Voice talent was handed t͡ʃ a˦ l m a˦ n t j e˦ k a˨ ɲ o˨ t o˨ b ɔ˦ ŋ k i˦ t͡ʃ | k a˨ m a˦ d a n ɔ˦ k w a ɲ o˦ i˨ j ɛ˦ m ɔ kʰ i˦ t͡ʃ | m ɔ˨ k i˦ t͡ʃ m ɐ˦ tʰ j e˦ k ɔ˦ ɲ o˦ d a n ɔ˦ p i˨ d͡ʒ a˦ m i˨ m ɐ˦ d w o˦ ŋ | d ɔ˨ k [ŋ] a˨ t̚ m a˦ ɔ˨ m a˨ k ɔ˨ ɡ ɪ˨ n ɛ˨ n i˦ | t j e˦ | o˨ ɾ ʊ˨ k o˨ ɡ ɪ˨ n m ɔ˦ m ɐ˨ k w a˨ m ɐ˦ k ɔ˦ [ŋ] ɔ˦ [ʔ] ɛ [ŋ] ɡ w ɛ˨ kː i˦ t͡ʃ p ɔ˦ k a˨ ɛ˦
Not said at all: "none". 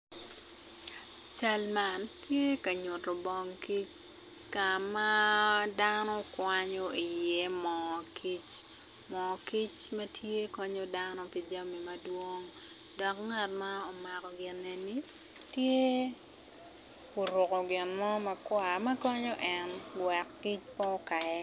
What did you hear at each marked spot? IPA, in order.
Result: ŋ, ɲ, ʔ, n

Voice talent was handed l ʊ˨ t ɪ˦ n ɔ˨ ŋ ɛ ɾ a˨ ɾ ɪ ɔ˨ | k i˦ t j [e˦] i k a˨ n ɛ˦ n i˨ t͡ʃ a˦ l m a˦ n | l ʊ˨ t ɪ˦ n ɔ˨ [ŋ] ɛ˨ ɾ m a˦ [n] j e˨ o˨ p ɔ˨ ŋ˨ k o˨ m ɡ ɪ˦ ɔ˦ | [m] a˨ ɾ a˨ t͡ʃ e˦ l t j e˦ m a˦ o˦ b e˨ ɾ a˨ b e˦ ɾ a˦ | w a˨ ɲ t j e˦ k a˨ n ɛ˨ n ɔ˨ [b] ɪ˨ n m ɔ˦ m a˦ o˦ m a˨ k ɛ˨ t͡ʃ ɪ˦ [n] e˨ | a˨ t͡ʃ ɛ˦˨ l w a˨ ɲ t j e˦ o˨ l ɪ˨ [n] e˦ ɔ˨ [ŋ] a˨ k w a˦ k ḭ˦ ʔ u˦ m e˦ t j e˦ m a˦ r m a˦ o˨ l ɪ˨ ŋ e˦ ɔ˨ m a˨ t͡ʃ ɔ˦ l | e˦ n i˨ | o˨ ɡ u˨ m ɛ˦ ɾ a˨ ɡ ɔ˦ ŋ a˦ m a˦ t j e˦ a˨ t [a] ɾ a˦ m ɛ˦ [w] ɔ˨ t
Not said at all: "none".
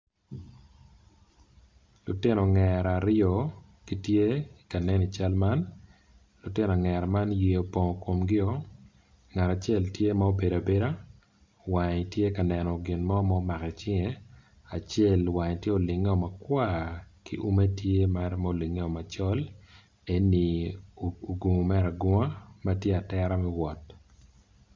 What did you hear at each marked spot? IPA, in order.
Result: e˦, ŋ, n, ŋ, ɡ, ŋ, ŋ, m, ɛ, w

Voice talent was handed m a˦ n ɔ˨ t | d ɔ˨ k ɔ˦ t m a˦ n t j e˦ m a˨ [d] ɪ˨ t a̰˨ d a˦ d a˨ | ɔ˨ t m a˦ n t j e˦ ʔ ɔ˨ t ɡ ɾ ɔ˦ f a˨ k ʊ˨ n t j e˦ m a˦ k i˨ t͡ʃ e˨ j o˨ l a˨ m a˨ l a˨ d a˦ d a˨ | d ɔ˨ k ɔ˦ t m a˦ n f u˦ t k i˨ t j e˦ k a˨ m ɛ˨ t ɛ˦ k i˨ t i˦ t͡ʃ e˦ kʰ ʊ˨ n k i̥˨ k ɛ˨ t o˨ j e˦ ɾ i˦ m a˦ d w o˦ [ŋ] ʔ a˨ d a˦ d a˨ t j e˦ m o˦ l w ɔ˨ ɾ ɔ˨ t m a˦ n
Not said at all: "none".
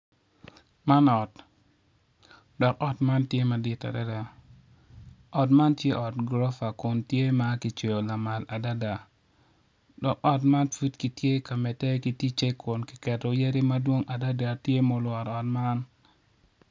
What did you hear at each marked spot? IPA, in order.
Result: d, ŋ

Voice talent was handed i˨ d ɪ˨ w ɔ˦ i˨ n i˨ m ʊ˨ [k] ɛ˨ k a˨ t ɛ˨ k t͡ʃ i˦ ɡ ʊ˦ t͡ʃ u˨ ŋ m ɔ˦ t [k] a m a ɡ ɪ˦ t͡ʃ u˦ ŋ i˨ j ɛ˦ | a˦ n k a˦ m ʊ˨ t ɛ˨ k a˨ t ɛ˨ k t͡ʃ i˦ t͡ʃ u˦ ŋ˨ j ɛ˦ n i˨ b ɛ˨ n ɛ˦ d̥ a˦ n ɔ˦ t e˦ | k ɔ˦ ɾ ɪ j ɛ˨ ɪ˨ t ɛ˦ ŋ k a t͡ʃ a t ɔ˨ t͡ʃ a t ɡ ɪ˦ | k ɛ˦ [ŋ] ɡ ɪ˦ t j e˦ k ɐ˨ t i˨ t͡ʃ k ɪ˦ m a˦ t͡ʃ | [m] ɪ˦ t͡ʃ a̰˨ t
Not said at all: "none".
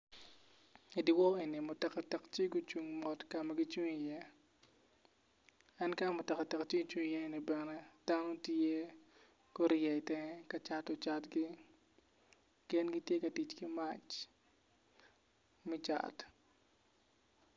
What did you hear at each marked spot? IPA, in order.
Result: t, k, n, m

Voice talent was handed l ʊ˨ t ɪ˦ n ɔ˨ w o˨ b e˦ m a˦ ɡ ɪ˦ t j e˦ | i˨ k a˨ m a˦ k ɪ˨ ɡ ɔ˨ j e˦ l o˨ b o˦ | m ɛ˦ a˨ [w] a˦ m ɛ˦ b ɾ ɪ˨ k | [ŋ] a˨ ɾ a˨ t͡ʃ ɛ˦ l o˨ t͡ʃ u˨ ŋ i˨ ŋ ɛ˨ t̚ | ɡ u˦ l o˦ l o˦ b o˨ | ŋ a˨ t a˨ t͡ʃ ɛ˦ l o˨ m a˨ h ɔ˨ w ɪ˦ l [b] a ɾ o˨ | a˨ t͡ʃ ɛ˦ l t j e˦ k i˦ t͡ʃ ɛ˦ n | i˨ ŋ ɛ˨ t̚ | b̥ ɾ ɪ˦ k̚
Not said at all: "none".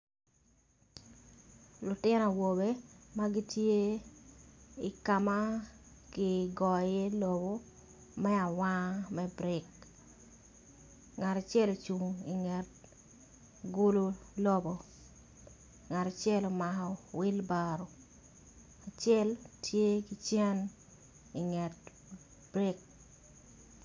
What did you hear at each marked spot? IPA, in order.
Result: w, ŋ, b

